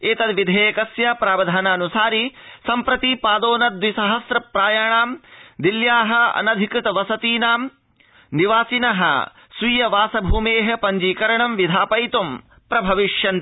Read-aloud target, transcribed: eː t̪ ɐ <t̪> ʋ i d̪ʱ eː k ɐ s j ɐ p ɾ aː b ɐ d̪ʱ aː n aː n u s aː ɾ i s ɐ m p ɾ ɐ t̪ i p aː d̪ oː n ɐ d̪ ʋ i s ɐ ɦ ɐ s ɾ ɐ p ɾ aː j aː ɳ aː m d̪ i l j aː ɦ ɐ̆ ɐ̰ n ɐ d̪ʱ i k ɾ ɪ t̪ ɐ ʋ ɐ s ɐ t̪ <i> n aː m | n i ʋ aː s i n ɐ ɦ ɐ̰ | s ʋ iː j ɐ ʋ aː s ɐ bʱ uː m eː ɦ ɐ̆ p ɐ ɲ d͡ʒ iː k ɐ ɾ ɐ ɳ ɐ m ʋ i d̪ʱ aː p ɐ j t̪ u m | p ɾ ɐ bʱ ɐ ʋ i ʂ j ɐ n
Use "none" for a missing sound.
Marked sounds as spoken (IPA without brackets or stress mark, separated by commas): d̪, iː